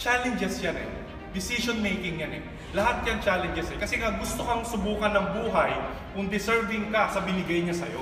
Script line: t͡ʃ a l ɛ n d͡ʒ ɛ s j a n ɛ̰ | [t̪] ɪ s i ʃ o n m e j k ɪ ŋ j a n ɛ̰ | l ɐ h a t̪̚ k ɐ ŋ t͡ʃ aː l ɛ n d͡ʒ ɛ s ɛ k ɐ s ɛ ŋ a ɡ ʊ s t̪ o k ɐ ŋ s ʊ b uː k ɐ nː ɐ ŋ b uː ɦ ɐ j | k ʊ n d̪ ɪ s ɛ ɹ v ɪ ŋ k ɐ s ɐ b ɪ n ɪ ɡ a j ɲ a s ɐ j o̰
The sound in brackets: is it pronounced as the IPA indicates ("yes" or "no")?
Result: no